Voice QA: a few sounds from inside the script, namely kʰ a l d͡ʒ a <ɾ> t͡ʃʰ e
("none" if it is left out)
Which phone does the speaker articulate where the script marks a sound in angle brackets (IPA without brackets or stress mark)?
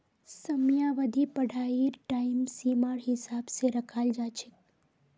none